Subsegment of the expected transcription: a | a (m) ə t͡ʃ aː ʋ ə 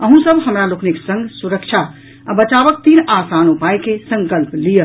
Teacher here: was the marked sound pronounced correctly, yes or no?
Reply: no